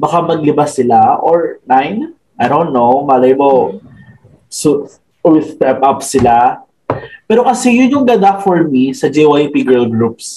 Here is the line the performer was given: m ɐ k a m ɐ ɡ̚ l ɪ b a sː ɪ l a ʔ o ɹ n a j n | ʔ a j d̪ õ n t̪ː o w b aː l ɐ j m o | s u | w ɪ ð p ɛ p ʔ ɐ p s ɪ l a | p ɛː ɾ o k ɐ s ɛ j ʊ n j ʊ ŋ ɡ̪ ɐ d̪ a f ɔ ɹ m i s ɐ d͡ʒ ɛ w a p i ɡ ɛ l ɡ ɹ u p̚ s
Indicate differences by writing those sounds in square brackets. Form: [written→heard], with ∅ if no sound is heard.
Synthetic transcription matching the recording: [m→b] ɐ k a m ɐ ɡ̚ l ɪ b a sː ɪ l a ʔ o ɹ n a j n | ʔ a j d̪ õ n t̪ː o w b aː l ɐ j m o | s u | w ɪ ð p ɛ p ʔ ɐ p s ɪ l a | p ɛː ɾ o k ɐ s ɛ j ʊ n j ʊ ŋ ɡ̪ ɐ d̪ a f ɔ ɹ m i s ɐ d͡ʒ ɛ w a p i ɡ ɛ l ɡ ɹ u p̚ s